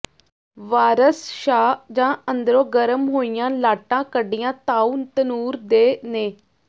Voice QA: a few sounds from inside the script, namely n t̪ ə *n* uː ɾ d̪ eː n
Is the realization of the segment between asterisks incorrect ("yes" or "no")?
no